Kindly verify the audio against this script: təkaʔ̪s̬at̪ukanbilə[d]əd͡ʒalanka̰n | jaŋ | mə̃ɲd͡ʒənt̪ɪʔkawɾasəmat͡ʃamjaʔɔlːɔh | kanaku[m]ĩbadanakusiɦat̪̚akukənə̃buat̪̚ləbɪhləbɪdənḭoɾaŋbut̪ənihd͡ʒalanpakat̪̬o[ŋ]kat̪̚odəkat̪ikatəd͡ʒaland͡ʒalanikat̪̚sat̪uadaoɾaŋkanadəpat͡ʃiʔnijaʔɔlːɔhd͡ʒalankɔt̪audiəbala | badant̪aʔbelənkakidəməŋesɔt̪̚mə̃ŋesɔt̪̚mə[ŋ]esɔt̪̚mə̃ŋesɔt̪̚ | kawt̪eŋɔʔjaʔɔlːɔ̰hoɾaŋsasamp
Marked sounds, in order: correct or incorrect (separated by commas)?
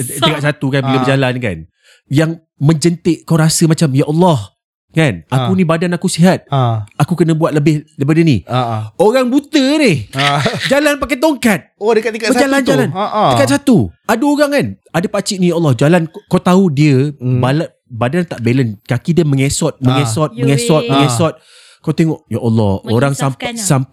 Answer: incorrect, incorrect, correct, correct